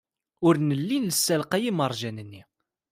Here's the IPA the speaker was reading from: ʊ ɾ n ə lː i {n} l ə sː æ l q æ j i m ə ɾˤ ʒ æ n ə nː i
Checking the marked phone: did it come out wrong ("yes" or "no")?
no